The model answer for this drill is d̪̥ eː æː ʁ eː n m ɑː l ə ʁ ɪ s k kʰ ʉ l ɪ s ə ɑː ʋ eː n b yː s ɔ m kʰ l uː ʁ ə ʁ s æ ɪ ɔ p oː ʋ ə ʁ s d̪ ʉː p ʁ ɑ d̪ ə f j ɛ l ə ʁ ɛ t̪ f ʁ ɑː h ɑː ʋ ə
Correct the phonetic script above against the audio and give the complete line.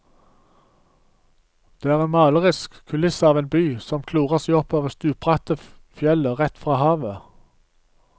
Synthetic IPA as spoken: d̪̥ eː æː ʁ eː n m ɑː l ə ʁ ɪ s k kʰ ʉ l ɪ s ə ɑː ʋ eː n b yː s ɔ m kʰ l uː ʁ ə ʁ s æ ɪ ɔ p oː ʋ ə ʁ s t̪ ʉː p ʁ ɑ t̪ ə f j ɛ l ə ʁ ɛ t̪ f ʁ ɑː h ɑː ʋ ə